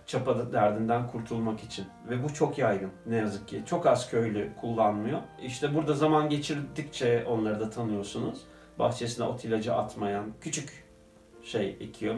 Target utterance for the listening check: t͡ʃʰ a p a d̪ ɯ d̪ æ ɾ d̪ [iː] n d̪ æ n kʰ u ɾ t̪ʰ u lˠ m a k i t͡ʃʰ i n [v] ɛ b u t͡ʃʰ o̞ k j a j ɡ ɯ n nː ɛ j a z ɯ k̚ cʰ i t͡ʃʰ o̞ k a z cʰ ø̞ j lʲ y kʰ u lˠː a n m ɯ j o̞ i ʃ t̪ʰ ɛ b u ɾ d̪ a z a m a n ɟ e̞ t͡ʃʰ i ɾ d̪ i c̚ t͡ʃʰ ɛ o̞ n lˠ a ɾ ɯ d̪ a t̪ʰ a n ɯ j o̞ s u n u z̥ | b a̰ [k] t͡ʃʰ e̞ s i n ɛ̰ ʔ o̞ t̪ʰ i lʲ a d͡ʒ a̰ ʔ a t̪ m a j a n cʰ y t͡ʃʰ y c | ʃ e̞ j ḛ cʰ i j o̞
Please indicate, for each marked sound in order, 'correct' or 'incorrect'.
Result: incorrect, correct, incorrect

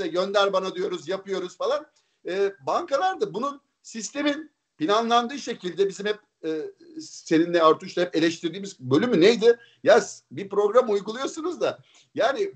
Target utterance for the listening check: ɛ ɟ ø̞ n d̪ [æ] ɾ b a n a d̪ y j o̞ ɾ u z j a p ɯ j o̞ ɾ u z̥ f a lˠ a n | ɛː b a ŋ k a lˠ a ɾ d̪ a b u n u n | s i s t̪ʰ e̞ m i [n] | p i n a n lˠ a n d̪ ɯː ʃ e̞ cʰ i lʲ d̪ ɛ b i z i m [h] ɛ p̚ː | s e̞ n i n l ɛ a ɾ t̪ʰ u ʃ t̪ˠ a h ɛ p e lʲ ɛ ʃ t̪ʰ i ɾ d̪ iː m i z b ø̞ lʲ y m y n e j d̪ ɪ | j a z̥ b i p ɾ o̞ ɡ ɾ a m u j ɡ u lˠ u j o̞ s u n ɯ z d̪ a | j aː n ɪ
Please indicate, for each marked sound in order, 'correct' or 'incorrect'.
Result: correct, correct, correct

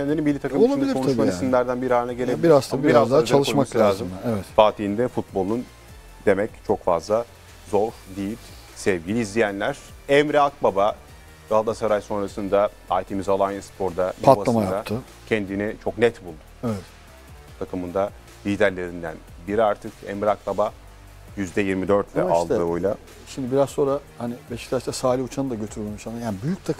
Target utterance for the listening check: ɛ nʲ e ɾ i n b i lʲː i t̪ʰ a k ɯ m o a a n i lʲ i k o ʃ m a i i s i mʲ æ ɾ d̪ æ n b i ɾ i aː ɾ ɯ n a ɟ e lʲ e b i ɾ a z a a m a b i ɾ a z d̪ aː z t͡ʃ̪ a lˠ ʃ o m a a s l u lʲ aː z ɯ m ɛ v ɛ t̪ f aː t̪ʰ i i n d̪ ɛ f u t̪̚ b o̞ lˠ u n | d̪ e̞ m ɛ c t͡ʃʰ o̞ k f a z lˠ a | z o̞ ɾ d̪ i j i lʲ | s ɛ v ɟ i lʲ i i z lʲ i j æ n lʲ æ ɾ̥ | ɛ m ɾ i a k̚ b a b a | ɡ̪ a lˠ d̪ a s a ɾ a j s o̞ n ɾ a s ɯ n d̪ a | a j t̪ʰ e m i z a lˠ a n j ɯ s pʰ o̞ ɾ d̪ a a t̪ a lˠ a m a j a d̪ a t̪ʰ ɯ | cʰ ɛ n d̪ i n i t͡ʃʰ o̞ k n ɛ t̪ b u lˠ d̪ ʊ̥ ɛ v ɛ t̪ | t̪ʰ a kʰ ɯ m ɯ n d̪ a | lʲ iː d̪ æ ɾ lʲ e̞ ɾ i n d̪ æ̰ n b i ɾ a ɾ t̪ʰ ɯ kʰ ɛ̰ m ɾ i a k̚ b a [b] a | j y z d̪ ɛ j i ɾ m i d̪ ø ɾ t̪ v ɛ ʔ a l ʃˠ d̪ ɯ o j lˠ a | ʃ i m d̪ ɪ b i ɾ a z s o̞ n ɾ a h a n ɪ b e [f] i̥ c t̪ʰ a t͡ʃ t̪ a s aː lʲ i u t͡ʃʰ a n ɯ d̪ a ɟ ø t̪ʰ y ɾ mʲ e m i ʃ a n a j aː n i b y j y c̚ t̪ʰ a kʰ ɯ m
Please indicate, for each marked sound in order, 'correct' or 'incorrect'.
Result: correct, incorrect

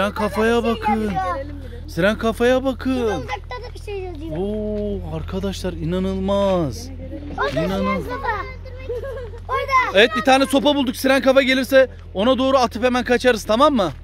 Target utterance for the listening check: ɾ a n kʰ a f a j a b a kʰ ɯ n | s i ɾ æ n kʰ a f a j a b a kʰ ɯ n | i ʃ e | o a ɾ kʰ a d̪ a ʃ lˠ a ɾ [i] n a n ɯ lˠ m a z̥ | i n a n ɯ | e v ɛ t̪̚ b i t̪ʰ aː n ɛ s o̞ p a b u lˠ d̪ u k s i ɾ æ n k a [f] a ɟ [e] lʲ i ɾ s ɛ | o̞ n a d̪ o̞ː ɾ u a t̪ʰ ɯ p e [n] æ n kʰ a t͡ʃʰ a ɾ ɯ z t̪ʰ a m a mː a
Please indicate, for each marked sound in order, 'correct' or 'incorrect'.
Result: correct, correct, correct, incorrect

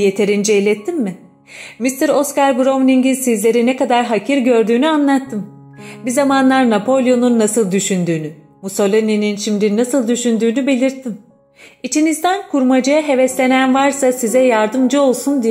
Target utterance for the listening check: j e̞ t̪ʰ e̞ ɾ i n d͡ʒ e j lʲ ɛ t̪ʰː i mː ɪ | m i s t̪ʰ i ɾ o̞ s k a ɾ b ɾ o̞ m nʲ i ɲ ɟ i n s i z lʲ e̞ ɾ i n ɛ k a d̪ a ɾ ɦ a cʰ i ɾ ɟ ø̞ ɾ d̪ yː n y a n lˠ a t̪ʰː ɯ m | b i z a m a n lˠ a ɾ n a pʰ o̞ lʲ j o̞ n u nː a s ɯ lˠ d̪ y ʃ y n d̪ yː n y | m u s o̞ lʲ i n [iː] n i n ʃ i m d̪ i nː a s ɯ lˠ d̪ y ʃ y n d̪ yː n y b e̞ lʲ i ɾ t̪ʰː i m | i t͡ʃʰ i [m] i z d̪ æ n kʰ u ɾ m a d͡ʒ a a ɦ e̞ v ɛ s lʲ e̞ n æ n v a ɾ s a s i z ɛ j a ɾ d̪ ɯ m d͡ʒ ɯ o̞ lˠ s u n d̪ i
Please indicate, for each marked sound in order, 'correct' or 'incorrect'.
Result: incorrect, incorrect

